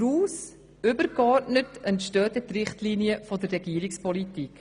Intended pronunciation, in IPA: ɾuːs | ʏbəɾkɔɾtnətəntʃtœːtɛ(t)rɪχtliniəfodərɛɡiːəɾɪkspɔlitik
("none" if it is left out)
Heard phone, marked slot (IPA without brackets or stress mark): t